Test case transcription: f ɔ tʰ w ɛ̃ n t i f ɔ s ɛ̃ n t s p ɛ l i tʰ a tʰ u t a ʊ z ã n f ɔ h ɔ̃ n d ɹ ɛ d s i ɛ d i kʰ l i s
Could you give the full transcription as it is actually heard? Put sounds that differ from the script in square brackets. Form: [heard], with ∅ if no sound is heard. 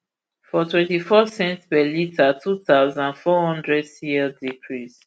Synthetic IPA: f ɔ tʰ w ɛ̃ n t i f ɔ s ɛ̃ n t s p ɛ l i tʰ a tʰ u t a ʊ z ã n f ɔ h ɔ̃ n d ɹ ɛ d s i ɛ d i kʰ [ɹ] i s